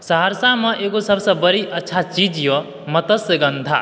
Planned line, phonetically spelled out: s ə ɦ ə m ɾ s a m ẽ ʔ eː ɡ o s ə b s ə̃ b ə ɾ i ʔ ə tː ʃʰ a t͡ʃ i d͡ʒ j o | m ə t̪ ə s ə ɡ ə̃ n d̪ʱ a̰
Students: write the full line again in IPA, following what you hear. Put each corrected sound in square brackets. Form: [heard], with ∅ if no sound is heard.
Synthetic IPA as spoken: s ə ɦ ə [∅] ɾ s a m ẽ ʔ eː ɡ o s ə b s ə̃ b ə ɾ i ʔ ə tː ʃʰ a t͡ʃ i d͡ʒ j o | m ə t̪ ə s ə ɡ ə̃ n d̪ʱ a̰